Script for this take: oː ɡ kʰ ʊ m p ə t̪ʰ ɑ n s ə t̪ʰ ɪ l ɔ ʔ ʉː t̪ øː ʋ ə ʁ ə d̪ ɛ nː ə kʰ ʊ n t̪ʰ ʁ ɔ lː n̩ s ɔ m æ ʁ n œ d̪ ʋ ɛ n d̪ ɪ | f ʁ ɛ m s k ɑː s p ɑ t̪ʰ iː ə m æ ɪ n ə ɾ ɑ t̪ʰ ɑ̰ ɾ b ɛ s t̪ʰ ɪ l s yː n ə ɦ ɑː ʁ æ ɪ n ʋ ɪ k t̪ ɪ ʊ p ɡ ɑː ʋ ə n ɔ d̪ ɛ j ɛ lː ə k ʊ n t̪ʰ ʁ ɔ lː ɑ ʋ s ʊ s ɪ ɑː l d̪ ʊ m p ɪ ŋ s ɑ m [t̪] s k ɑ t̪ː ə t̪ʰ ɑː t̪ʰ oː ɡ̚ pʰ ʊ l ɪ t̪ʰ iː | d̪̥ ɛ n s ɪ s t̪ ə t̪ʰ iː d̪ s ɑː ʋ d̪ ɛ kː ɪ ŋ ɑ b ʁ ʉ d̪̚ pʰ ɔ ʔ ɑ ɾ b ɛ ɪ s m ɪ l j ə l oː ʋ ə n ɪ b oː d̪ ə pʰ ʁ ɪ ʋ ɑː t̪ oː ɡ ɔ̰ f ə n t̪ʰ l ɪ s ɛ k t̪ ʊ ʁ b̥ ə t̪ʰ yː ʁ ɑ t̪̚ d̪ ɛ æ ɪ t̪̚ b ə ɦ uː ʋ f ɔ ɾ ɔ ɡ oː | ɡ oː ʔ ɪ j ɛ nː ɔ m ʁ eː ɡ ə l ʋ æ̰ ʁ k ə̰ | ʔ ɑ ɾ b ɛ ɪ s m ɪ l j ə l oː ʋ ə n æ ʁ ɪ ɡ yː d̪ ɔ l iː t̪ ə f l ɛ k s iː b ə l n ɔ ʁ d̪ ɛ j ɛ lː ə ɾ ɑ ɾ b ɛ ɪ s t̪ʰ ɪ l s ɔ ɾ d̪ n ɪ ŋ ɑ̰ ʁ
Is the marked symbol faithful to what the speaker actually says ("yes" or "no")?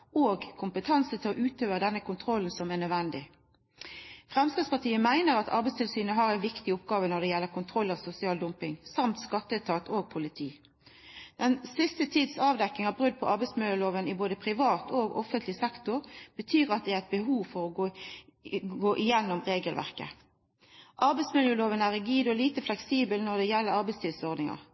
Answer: yes